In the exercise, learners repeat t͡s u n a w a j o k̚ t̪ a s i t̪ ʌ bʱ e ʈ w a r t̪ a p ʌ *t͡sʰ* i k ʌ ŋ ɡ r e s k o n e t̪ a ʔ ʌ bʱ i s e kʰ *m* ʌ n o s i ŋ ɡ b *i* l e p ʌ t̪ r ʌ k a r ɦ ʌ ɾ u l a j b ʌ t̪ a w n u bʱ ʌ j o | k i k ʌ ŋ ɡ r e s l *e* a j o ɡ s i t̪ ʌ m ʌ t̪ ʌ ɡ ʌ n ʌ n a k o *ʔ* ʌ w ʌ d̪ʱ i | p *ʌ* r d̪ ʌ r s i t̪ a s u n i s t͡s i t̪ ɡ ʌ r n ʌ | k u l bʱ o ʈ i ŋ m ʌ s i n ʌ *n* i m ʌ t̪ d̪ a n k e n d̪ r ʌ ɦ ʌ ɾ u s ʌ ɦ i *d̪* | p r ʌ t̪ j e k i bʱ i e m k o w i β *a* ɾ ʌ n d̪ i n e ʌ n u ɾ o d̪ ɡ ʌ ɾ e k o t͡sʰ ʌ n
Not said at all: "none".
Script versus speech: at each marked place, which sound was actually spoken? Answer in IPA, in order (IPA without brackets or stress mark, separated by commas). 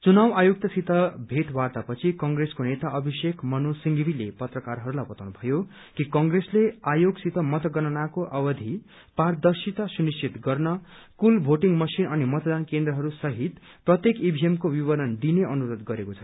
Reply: t͡sʰ, m, i, e, ʔ, a, n, t̪, ʌ